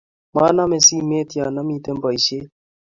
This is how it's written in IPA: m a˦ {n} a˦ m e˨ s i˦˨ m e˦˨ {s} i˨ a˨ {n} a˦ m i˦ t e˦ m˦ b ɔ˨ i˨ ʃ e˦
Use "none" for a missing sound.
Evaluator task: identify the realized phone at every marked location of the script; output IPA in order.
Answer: n, t, n

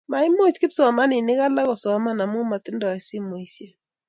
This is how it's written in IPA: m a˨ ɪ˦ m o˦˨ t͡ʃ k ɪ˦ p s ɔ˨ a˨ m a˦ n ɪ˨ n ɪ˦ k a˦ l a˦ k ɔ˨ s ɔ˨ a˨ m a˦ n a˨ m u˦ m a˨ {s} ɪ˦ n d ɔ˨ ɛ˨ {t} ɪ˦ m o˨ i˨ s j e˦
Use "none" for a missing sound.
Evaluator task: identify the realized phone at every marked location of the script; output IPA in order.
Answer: t, s

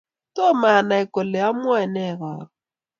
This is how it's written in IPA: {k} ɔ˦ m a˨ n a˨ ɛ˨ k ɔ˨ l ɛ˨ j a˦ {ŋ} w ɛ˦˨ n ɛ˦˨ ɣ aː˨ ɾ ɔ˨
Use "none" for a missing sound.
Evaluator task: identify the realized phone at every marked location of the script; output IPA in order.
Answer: t, m

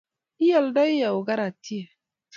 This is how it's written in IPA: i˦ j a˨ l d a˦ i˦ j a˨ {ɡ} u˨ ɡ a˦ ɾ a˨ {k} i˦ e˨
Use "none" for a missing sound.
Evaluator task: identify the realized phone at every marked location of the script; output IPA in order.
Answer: none, t

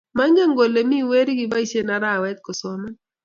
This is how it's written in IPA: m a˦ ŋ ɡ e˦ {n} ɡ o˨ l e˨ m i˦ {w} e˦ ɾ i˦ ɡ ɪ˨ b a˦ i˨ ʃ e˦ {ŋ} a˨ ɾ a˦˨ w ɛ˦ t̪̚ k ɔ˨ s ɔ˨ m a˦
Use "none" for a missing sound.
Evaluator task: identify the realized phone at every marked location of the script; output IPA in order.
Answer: ŋ, w, n

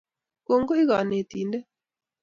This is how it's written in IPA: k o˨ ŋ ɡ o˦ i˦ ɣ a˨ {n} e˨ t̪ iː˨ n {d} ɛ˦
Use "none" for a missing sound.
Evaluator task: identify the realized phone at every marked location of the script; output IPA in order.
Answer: n, d

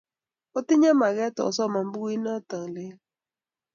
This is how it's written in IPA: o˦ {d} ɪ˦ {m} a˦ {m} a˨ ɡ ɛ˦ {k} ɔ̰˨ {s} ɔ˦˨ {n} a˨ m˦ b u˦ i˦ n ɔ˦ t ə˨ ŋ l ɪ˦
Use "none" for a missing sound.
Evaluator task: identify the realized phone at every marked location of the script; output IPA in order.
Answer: t, ɲ, m, t, s, m

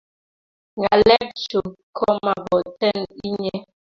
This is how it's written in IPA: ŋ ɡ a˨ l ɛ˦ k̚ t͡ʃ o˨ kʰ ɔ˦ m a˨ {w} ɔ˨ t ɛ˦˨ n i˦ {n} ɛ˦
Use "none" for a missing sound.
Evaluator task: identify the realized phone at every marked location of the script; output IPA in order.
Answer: b, ɲ

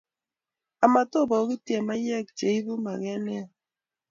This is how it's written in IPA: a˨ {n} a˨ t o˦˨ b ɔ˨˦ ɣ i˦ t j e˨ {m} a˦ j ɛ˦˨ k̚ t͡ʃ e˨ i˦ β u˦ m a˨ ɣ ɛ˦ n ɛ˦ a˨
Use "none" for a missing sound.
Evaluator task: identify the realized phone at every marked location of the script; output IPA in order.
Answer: m, m

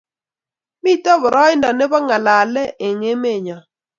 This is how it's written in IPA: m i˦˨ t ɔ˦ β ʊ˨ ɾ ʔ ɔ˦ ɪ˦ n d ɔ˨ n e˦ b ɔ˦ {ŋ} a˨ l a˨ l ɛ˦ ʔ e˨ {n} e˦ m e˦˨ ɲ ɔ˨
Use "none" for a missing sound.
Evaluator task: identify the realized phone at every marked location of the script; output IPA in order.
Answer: ŋ, ŋ

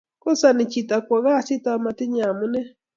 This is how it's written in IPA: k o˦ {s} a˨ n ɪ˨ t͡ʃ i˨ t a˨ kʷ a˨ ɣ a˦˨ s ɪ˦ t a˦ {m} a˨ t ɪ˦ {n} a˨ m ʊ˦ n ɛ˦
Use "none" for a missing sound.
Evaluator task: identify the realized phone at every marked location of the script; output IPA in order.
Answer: s, m, ɲ

